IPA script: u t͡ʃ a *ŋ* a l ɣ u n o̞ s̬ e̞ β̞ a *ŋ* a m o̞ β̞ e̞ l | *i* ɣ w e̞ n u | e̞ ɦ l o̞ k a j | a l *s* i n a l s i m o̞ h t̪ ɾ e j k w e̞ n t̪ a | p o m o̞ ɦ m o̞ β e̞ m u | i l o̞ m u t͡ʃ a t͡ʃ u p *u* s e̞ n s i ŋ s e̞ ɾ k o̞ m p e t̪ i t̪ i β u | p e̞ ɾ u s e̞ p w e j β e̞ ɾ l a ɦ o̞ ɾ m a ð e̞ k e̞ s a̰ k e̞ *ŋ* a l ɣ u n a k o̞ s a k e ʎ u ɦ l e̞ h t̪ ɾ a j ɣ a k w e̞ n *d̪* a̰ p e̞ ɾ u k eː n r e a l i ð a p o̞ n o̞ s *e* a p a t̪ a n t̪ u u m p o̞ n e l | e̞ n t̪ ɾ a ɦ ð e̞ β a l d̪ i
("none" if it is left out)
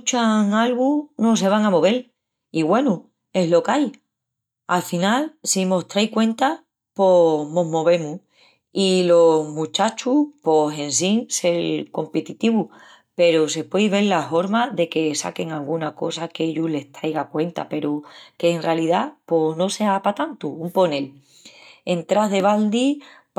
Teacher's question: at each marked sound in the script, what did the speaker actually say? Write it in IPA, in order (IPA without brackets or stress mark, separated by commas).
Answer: ŋ, ŋ, i, f, o, ŋ, t̪, e